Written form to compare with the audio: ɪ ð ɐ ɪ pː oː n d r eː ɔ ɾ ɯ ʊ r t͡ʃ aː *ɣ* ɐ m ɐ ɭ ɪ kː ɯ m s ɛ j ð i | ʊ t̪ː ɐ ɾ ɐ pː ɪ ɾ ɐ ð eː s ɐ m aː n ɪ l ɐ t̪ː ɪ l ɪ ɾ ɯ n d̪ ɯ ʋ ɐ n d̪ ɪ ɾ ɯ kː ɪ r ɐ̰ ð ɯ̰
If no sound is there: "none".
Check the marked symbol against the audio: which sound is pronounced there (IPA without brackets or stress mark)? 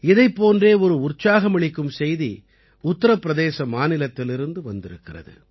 ɣ